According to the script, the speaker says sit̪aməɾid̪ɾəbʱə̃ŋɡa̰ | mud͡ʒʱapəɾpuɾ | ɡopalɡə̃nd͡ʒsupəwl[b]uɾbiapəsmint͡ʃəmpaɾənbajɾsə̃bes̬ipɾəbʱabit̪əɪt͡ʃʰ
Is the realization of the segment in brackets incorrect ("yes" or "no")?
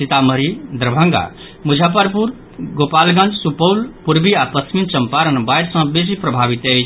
yes